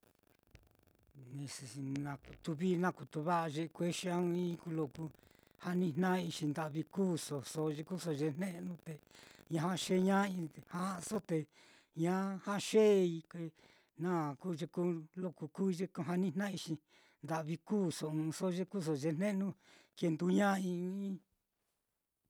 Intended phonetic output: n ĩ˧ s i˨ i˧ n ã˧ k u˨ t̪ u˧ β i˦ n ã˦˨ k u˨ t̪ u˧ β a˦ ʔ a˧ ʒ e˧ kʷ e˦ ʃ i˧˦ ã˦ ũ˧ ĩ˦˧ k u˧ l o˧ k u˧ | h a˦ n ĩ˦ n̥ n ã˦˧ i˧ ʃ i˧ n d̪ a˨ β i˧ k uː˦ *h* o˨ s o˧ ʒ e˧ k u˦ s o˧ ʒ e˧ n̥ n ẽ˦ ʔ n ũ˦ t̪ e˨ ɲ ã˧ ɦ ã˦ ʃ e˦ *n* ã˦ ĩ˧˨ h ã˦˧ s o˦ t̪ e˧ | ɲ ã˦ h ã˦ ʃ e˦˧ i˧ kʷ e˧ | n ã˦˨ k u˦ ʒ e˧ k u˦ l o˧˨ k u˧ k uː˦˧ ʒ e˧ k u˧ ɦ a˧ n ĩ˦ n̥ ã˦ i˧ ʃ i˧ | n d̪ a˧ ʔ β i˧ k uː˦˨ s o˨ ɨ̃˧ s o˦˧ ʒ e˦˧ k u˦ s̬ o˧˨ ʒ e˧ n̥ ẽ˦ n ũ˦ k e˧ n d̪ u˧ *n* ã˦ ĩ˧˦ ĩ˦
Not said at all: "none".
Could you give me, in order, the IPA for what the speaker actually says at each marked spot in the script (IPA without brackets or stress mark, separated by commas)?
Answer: s, ɲ, ɲ